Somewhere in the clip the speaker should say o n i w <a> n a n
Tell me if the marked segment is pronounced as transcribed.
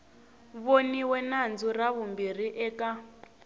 no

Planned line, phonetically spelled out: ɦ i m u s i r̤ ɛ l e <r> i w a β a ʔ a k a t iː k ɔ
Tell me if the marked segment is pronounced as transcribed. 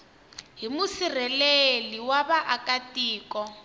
no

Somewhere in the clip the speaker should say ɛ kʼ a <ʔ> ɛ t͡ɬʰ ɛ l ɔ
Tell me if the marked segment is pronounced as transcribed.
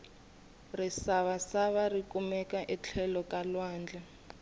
yes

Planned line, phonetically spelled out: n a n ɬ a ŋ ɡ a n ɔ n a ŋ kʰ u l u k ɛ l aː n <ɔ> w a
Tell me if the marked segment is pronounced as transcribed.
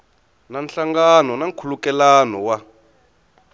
yes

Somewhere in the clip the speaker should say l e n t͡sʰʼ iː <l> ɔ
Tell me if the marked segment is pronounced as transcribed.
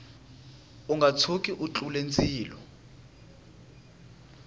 yes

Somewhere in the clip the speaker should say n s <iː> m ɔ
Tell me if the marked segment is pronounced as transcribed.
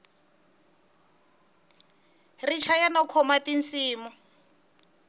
yes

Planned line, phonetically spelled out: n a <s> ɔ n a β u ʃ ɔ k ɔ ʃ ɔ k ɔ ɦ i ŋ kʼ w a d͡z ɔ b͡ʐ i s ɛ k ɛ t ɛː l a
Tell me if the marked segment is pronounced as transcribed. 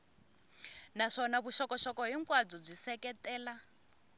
no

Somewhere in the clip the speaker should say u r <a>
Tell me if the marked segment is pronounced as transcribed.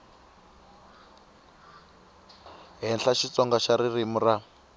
yes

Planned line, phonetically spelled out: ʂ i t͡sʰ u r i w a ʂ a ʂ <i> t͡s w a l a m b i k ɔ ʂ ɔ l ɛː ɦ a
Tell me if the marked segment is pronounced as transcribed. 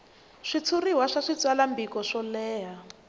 yes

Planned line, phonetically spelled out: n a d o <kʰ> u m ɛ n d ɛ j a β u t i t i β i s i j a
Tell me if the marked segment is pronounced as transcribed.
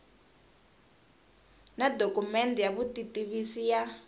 no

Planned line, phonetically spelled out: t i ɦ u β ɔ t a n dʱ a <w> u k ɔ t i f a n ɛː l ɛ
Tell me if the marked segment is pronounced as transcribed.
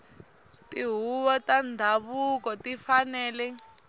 no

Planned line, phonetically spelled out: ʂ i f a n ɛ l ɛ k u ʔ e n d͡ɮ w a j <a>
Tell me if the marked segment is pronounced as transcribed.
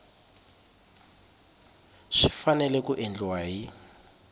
no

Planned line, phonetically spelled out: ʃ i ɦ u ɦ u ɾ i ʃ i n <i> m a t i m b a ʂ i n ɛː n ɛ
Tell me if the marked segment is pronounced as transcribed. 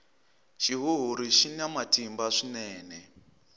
no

